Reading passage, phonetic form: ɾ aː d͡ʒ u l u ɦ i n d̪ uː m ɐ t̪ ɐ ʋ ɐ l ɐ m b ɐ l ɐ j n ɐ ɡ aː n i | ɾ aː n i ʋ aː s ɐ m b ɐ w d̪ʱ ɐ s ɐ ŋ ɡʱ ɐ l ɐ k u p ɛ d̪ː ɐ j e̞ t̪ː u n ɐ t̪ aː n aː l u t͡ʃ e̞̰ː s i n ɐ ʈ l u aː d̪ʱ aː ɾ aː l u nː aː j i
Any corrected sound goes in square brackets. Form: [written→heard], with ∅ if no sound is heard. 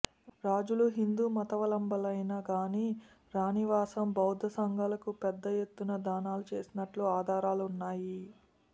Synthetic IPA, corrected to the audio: ɾ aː d͡ʒ u l u ɦ i n d̪ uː m ɐ t̪ ɐ ʋ ɐ l ɐ m b ɐ l ɐ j n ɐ ɡ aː n i | ɾ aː n i ʋ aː s ɐ m b ɐ w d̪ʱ ɐ s ɐ ŋ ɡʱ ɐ l ɐ k u p ɛ d̪ː ɐ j e̞ t̪ː u n ɐ [t̪→d̪] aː n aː l u t͡ʃ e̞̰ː s i n ɐ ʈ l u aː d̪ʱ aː ɾ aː l u nː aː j i